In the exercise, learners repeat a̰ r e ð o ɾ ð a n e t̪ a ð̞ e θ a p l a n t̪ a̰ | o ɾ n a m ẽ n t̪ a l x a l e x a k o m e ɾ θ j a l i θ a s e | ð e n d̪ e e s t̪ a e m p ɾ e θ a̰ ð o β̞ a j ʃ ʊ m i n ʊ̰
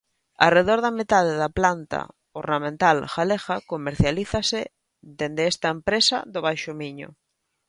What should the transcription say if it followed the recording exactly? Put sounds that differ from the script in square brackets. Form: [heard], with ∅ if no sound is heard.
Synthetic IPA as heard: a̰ r e ð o ɾ ð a [m] e t̪ a ð̞ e [ð] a p l a n t̪ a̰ | o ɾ n a m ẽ n t̪ a l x a l e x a k o m e ɾ θ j a l i θ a s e | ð e n d̪ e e s t̪ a e m p ɾ e [s] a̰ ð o β̞ a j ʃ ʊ m i [ɲ] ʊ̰

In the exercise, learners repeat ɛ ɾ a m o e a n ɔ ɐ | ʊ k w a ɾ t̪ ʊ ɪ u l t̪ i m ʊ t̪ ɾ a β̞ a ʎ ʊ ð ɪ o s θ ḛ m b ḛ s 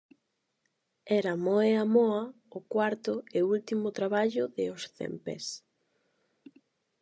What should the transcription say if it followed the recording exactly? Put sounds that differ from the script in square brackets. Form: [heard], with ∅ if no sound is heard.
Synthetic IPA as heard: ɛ ɾ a m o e a [m] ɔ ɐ | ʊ k w a ɾ t̪ ʊ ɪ u l t̪ i m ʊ t̪ ɾ a β̞ a ʎ ʊ ð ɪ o s θ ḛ m [p] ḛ s

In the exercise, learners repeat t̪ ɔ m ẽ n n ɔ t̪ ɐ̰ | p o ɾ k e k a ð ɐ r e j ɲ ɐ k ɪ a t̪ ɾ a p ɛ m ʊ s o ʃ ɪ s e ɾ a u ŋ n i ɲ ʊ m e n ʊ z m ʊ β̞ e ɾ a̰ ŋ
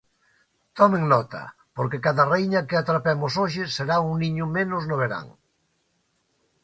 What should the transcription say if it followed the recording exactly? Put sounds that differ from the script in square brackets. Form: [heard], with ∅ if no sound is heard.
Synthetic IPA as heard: t̪ ɔ m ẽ [ŋ] n ɔ t̪ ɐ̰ | p o ɾ k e k a ð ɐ r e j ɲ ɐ k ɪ a t̪ ɾ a p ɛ m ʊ s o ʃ ɪ s e ɾ a u ŋ n i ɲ ʊ m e n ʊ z [n] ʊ β̞ e ɾ a̰ ŋ

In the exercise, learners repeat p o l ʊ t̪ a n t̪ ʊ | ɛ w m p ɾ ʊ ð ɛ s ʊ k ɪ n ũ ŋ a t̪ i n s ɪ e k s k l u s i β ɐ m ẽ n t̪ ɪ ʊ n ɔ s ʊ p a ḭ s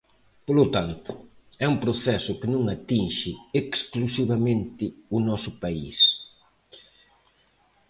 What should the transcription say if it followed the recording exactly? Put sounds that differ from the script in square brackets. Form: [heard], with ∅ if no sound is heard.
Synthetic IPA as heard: p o l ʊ t̪ a n t̪ ʊ | ɛ [u] m p ɾ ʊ [θ] ɛ s ʊ k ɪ n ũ ŋ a t̪ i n [ʃ] ɪ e k s k l u s i β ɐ m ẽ n t̪ ɪ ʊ n ɔ s ʊ p a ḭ s

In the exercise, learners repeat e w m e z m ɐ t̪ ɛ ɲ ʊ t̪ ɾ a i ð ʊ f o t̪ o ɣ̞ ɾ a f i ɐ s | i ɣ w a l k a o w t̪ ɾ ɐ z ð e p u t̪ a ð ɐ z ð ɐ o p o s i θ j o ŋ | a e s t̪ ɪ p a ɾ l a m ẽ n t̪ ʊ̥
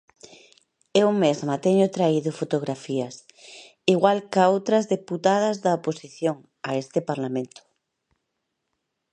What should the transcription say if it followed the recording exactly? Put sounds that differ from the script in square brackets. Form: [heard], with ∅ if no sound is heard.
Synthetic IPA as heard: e w m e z m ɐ t̪ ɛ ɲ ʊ t̪ ɾ a i ð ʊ f o t̪ o ɣ̞ ɾ a f i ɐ s | i ɣ w a l k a o w t̪ ɾ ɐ z ð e p u t̪ a ð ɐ z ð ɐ o p o s i θ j o ŋ | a e s t̪ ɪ p a ɾ l a m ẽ n t̪ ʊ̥

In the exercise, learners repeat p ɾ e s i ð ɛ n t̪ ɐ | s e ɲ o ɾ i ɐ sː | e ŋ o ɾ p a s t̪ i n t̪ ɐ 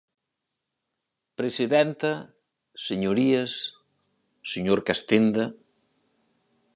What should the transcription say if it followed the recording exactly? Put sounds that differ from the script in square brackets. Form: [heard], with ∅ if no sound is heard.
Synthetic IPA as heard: p ɾ e s i ð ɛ n t̪ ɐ | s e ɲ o ɾ i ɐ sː | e [ɲ] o ɾ [k] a s t̪ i n [d̪] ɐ

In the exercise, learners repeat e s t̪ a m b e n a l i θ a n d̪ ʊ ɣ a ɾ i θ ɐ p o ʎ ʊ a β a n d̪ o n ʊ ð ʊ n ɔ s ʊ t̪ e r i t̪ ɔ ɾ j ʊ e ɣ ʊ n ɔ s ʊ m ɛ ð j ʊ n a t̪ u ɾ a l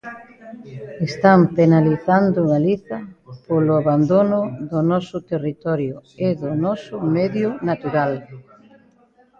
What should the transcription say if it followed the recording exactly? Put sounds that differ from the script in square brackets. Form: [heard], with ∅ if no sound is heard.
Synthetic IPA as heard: e s t̪ a m [p] e n a l i θ a n d̪ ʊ ɣ a [l] i θ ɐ p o [l] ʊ a β a n d̪ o n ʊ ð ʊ n ɔ s ʊ t̪ e r i t̪ ɔ ɾ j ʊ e [ð] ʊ n ɔ s ʊ m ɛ ð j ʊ n a t̪ u ɾ a l

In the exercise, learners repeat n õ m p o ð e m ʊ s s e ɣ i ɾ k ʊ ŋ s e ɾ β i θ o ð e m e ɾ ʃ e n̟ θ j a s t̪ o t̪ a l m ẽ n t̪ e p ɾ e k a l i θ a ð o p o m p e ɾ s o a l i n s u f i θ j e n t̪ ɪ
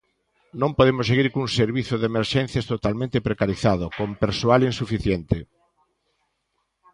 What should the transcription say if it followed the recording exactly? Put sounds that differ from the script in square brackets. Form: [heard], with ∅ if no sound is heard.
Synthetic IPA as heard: n õ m p o ð e m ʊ s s e ɣ i ɾ k [u] ŋ s e ɾ β i θ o ð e m e ɾ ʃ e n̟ θ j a s t̪ o t̪ a l m ẽ n t̪ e p ɾ e k a [ɾ] i θ a ð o [k] o m p e ɾ s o a l i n s u f i θ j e n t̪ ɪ

